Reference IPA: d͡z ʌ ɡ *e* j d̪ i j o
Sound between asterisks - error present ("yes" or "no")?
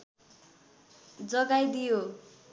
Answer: yes